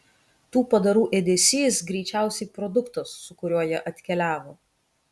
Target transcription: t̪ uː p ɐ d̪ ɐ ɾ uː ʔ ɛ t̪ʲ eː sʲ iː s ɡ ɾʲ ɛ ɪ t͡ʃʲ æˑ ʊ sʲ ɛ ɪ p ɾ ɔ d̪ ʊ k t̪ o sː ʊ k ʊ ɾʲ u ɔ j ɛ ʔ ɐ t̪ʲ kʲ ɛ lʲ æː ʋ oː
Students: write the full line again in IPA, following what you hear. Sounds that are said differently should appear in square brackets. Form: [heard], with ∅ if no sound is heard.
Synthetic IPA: t̪ uː p ɐ d̪ ɐ ɾ uː ʔ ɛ [d̪ʲ] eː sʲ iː s ɡ ɾʲ ɛ ɪ t͡ʃʲ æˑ ʊ sʲ ɛ ɪ p ɾ ɔ d̪ ʊ k t̪ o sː ʊ k ʊ ɾʲ u ɔ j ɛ ʔ ɐ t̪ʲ kʲ ɛ lʲ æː ʋ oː